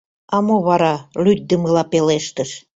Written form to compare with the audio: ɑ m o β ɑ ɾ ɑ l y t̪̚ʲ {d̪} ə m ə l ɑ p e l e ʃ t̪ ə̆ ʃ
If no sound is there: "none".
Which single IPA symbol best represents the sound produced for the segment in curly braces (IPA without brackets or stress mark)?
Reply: d̪